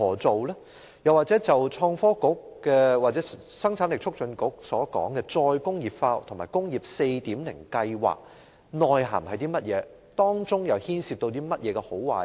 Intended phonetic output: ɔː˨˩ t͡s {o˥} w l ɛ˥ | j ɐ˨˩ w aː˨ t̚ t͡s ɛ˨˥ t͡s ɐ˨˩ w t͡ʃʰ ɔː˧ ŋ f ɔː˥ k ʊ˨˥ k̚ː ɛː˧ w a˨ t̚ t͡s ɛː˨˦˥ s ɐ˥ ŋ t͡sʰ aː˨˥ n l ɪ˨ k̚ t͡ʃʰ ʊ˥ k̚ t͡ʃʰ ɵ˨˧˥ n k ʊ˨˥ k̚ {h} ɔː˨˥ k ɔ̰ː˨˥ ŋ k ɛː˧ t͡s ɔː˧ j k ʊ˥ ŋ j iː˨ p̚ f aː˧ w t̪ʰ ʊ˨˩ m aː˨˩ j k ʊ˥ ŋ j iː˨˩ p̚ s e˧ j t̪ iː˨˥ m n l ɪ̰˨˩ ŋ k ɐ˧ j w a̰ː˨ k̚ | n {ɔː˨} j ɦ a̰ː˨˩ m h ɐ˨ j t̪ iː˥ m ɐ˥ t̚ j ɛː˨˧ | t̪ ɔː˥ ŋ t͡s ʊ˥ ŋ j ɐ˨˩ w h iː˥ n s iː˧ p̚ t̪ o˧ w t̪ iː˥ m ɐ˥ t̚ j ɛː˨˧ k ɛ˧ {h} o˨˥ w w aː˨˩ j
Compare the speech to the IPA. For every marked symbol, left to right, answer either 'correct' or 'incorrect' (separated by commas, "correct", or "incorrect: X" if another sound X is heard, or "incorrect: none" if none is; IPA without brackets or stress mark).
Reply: incorrect: o˨, incorrect: s, correct, correct